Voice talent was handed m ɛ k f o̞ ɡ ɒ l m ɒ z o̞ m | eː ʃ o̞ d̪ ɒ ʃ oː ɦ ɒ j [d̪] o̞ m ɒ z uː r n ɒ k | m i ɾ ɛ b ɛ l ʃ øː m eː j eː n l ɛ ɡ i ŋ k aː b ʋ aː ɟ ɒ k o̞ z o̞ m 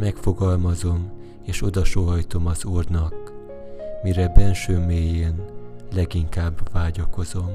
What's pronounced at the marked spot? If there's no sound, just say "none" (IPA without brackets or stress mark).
t̪